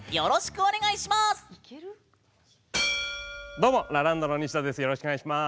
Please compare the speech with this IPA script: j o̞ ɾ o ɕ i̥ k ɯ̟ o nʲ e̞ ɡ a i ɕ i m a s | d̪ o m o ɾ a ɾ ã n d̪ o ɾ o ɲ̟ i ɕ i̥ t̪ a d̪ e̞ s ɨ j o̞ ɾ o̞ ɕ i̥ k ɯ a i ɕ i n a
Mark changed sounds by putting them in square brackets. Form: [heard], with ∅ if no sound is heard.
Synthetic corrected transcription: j o̞ ɾ o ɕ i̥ k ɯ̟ o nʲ e̞ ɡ a i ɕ i m a s | d̪ o m o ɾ a ɾ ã n d̪ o ɾ o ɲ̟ i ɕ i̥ t̪ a d̪ e̞ s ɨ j o̞ ɾ o̞ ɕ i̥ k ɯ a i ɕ i [m] a